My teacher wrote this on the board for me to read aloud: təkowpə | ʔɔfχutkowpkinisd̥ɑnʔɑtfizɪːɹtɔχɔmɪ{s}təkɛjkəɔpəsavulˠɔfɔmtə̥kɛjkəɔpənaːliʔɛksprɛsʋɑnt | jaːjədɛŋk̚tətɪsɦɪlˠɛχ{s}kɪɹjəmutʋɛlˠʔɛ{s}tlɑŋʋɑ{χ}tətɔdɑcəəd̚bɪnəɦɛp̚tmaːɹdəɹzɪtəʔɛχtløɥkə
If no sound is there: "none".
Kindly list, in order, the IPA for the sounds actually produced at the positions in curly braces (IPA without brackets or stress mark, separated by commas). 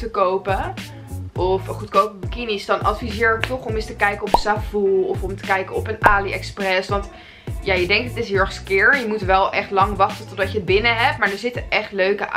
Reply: s, s, χ, χ